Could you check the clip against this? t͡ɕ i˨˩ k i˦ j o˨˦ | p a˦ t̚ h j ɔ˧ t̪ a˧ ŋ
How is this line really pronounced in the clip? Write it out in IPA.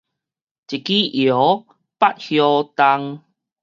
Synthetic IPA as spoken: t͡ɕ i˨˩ k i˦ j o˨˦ | p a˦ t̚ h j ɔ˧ t̪ a˧ ŋ